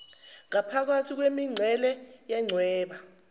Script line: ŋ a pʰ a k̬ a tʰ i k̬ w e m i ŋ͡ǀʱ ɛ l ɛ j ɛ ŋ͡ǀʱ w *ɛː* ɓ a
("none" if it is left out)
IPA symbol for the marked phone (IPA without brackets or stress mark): ɛː